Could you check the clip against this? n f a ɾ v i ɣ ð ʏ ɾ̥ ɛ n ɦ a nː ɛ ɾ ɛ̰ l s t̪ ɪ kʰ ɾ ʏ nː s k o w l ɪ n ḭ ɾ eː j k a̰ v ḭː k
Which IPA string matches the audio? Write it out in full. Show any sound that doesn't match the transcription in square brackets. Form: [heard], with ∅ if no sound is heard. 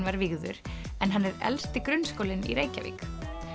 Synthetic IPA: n [v] a ɾ v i ɣ ð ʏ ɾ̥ ɛ n ɦ a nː ɛ ɾ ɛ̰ l s t̪ ɪ [k] ɾ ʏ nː s k o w l ɪ n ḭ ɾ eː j [c] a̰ v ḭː k

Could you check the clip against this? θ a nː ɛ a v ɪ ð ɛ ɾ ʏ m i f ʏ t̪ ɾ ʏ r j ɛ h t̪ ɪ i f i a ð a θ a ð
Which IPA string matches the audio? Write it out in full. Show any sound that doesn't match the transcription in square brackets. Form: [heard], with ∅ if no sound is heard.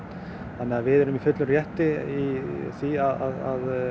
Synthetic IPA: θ a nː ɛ a v ɪ ð ɛ ɾ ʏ m i f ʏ t̪ [l] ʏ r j ɛ h t̪ ɪ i [θ] i a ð a [ð] a ð

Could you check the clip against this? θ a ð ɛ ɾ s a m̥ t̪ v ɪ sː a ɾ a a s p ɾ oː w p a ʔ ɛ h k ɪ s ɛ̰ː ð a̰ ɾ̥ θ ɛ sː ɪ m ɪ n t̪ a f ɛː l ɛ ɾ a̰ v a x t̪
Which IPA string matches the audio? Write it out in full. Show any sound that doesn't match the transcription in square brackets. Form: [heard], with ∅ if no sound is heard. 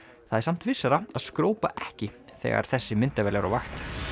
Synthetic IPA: θ a ð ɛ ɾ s a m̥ t̪ v ɪ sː a ɾ a a s [k] ɾ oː w p a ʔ ɛ h [c] ɪ [θ] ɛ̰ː [ɣ] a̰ ɾ̥ θ ɛ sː ɪ m ɪ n t̪ a [v] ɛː l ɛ ɾ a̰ v a x t̪

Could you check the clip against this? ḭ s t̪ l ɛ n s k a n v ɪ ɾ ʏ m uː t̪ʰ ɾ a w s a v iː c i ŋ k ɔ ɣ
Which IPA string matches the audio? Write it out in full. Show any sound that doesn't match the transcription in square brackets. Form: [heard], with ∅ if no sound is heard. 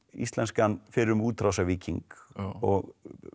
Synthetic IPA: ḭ s t̪ l ɛ n s k a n [f] ɪ ɾ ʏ m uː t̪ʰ ɾ a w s a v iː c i ŋ k ɔ ɣ

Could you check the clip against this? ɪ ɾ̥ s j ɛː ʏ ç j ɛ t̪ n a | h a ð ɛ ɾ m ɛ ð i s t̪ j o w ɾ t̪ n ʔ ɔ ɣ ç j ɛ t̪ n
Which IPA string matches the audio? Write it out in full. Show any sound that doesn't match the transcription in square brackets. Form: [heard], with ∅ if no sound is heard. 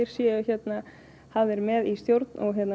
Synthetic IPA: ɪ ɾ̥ s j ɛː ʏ ç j ɛ t̪ n a | h a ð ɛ ɾ m ɛ ð i s t̪ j o w ɾ t̪ n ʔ ɔ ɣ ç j ɛ t̪ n

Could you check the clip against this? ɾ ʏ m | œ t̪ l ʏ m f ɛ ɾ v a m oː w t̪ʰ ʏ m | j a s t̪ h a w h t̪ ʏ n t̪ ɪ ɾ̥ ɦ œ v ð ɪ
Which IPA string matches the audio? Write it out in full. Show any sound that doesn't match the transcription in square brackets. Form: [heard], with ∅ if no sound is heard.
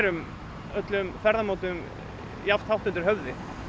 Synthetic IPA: ɾ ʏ m | œ t̪ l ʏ m f ɛ ɾ [ð] a m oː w [t̪] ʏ m | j a [f] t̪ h a w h t̪ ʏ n t̪ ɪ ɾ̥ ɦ œ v ð ɪ

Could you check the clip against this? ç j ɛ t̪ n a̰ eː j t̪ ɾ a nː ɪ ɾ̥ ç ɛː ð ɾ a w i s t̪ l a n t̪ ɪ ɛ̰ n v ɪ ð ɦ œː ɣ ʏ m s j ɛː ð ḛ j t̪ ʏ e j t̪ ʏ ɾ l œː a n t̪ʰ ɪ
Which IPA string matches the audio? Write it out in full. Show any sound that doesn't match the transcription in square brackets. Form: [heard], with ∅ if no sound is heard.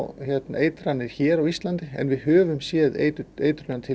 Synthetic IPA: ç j ɛ t̪ n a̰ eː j t̪ ɾ a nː ɪ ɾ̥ ç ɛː [∅] ɾ a w i s t̪ l a n t̪ ɪ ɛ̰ n v ɪ ð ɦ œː [v] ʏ m s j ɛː ð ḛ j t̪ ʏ e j t̪ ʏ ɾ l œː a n t̪ʰ ɪ

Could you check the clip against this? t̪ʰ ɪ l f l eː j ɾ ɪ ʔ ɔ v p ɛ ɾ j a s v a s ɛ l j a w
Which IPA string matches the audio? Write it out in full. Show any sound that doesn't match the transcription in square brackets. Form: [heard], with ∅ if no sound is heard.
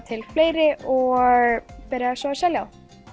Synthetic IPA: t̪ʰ ɪ l f l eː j ɾ ɪ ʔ ɔ [ɣ] p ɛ ɾ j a s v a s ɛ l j a w

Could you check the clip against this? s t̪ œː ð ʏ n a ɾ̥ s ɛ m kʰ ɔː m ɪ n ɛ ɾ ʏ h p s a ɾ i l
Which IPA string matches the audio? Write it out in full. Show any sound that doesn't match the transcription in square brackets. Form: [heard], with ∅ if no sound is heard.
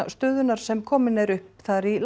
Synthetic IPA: s t̪ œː ð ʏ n a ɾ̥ s ɛ m kʰ ɔː m ɪ n ɛ ɾ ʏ h p [θ] a ɾ i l

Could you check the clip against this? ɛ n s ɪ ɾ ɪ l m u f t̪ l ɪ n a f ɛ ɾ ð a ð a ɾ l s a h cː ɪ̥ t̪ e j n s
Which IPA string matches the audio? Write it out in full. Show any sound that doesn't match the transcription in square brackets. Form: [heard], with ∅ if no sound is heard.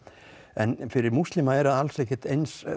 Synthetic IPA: ɛ n [f] ɪ ɾ ɪ [ɾ] m u [s] t̪ l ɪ [m] a [∅] ɛ ɾ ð a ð a [∅] l s [ɛ] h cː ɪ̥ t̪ e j n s

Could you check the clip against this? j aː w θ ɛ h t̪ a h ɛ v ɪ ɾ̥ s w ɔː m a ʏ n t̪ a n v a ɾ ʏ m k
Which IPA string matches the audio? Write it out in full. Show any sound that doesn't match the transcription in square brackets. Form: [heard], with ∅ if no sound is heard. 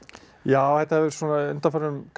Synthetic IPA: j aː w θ ɛ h t̪ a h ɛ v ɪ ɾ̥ s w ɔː [n] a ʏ n t̪ a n [f] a ɾ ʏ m k

